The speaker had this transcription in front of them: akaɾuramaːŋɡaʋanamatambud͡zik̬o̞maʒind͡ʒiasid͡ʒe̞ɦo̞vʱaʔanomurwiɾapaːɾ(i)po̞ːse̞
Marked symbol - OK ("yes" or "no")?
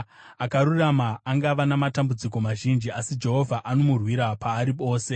yes